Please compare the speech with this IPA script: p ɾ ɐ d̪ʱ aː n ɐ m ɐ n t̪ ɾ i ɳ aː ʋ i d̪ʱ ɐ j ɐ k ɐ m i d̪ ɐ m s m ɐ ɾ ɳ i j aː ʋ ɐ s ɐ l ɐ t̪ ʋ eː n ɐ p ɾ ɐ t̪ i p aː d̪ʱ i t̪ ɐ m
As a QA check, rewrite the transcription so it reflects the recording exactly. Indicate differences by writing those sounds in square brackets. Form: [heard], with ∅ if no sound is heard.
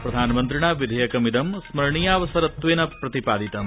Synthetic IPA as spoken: p ɾ ɐ d̪ʱ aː n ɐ m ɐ n t̪ ɾ i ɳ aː ʋ i d̪ʱ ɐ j ɐ k ɐ m i d̪ ɐ m s m ɐ ɾ ɳ i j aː ʋ ɐ s ɐ [ɾ] ɐ t̪ ʋ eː n ɐ p ɾ ɐ t̪ i p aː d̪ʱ i t̪ ɐ m